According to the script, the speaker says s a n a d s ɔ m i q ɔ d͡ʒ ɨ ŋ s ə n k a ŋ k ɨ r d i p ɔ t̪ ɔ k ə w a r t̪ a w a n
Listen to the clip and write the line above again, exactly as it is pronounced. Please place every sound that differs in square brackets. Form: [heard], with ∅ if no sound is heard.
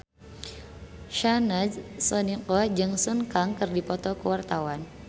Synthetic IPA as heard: [ʃ] a n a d s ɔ [n] i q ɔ d͡ʒ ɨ ŋ s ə n k a ŋ k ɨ r d i p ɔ t̪ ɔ k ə w a r t̪ a w a n